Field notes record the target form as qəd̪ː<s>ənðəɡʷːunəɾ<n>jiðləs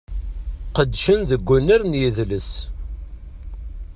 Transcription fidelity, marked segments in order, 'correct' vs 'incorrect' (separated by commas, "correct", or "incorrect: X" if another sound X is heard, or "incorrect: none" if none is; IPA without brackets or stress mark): incorrect: ʃ, correct